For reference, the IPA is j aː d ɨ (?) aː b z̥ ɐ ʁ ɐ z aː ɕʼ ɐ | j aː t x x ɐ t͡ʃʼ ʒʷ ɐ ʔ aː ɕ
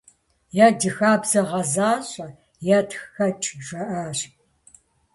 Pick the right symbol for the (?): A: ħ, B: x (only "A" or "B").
B